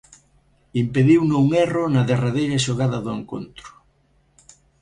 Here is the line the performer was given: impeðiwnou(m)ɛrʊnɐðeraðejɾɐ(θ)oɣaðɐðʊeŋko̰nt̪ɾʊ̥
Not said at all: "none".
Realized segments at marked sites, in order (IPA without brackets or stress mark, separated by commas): ŋ, ʃ